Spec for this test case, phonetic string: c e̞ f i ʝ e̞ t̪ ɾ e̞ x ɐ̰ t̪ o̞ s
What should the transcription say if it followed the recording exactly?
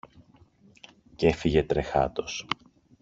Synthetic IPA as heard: c e̞ f i ʝ e̞ t̪ ɾ e̞ x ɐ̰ t̪ o̞ s